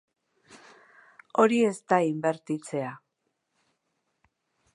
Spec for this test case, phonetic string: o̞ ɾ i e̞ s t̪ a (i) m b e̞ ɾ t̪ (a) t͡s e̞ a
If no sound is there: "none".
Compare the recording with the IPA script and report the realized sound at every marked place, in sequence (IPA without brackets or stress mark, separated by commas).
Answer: i, i